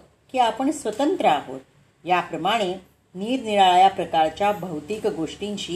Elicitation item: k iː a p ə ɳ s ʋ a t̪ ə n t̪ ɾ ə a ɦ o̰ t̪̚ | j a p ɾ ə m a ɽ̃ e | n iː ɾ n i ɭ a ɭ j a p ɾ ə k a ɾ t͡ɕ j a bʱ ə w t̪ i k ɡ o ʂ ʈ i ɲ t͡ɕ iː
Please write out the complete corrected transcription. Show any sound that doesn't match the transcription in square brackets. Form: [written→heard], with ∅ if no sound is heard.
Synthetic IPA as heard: k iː a p ə ɳ s ʋ [a→ə] t̪ ə n t̪ ɾ ə a ɦ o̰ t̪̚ | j a p ɾ ə m a ɽ̃ e | n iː ɾ n i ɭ a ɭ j a p ɾ ə k a ɾ t͡ɕ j a bʱ ə w t̪ i k ɡ o ʂ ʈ i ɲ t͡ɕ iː